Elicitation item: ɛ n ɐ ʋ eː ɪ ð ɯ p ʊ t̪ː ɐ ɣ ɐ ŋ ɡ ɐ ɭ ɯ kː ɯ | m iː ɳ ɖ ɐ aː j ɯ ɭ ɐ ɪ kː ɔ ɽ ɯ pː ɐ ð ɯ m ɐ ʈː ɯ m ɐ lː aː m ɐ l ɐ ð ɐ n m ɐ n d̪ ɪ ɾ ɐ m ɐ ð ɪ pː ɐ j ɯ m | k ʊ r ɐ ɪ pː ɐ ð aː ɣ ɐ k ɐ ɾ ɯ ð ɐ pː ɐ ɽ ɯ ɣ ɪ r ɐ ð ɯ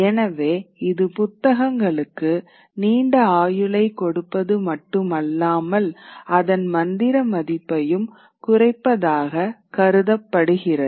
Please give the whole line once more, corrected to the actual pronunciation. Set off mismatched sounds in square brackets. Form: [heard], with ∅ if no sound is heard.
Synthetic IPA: ɛ n ɐ ʋ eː ɪ ð ɯ p ʊ t̪ː ɐ ɣ ɐ ŋ ɡ ɐ ɭ ɯ kː ɯ | [n] iː ɳ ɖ ɐ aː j ɯ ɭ ɐ ɪ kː ɔ ɽ ɯ pː ɐ ð ɯ m ɐ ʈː ɯ m ɐ lː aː m ɐ l ɐ ð ɐ n m ɐ n d̪ ɪ ɾ ɐ m ɐ ð ɪ pː ɐ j ɯ m | k ʊ r ɐ ɪ pː ɐ ð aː ɣ ɐ k ɐ ɾ ɯ ð ɐ pː ɐ ɽ ɯ ɣ ɪ r ɐ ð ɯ

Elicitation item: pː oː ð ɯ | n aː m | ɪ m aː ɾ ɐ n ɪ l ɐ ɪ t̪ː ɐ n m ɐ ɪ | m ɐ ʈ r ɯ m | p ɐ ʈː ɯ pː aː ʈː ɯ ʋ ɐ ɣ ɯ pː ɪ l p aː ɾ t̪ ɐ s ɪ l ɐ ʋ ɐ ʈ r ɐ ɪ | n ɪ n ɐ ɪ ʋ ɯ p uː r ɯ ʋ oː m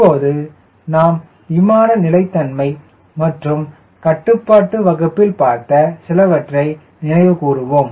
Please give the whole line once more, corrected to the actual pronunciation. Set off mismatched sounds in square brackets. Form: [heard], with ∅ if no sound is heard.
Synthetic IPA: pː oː ð ɯ | n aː m | ɪ m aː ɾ ɐ n ɪ l ɐ ɪ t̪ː ɐ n m ɐ ɪ | m ɐ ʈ r ɯ m | [k] ɐ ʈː ɯ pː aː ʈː ɯ ʋ ɐ ɣ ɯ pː ɪ l p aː ɾ t̪ ɐ s ɪ l ɐ ʋ ɐ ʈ r ɐ ɪ | n ɪ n ɐ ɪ ʋ ɯ [k] uː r ɯ ʋ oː m

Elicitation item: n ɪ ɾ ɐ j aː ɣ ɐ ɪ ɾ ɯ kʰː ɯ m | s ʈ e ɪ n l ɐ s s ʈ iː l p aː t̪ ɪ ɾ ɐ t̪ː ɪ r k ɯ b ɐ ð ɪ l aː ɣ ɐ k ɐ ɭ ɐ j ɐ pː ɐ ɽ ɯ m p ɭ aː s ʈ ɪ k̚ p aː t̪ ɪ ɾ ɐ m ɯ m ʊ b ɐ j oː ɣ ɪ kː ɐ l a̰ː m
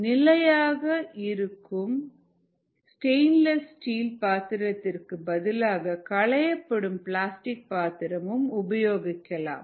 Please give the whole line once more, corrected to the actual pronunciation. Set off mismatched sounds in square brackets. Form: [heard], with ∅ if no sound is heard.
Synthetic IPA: n ɪ [l] ɐ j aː ɣ ɐ ɪ ɾ ɯ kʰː ɯ m | s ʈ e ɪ n l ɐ s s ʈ iː l p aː t̪ ɪ ɾ ɐ t̪ː ɪ r k ɯ b ɐ ð ɪ l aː ɣ ɐ k ɐ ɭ ɐ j ɐ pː ɐ ɽ ɯ m p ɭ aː s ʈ ɪ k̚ p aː t̪ ɪ ɾ ɐ m ɯ m ʊ b ɐ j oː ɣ ɪ kː ɐ l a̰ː m

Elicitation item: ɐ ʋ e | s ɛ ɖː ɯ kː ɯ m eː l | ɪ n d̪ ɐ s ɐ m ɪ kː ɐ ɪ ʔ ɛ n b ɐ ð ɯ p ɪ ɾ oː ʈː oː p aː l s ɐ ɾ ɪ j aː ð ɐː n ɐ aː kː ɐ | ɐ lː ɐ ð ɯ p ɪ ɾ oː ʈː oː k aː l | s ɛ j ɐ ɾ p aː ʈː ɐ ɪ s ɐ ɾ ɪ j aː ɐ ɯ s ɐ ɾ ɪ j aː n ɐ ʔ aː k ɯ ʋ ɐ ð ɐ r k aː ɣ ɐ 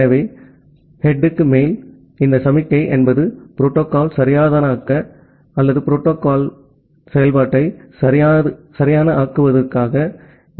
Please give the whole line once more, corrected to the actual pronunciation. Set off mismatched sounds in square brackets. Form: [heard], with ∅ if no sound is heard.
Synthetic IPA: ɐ ʋ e | [h] ɛ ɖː ɯ kː ɯ m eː l | ɪ n d̪ ɐ s ɐ m ɪ kː ɐ ɪ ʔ ɛ n b ɐ ð ɯ p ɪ ɾ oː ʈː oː [k] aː l s ɐ ɾ ɪ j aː ð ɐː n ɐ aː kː ɐ | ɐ lː ɐ ð ɯ p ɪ ɾ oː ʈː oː k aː l | s ɛ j ɐ [l] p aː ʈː ɐ ɪ s ɐ ɾ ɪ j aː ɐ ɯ s ɐ ɾ ɪ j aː n ɐ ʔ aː k ɯ ʋ ɐ ð ɐ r k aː ɣ ɐ

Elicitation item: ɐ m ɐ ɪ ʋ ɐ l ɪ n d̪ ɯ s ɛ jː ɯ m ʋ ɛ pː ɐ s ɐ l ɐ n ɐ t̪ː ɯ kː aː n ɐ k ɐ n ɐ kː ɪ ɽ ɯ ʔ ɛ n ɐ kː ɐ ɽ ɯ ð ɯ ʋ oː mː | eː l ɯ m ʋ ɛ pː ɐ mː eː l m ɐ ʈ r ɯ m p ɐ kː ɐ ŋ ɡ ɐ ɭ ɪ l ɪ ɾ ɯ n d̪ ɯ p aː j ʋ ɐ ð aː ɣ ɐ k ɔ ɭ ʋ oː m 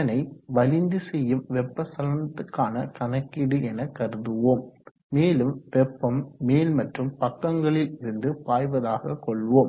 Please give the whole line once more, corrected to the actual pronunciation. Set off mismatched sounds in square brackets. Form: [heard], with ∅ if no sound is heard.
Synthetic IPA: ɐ [n] ɐ ɪ ʋ ɐ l ɪ n d̪ ɯ s ɛ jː ɯ m ʋ ɛ pː ɐ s ɐ l ɐ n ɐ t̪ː ɯ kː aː n ɐ k ɐ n ɐ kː ɪ ɽ ɯ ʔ ɛ n ɐ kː ɐ [ɾ] ɯ ð ɯ ʋ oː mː | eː l ɯ m ʋ ɛ pː ɐ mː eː l m ɐ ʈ r ɯ m p ɐ kː ɐ ŋ ɡ ɐ ɭ ɪ l ɪ ɾ ɯ n d̪ ɯ p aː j ʋ ɐ ð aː ɣ ɐ k ɔ ɭ ʋ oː m

